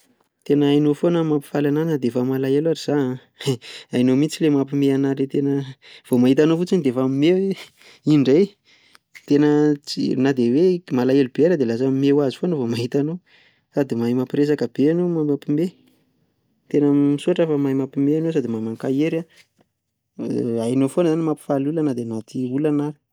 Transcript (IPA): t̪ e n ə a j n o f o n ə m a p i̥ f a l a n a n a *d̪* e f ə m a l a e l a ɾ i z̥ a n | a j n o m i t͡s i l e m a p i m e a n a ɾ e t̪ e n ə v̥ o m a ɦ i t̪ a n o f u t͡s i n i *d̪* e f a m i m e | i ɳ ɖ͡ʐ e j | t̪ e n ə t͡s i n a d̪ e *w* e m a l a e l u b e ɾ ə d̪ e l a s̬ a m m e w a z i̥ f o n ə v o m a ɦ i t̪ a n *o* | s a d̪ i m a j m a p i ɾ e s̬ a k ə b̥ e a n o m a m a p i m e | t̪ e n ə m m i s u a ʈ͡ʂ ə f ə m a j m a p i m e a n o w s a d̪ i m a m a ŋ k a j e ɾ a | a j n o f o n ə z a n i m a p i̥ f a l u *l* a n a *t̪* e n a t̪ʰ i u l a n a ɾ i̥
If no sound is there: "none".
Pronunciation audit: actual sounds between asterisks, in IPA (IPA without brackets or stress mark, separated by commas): d̪, d̪, w, o, l, d̪